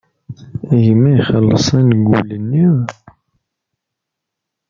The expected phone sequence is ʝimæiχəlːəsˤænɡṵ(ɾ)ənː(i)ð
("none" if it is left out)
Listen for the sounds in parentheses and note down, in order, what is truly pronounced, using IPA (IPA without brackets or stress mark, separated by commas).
l, i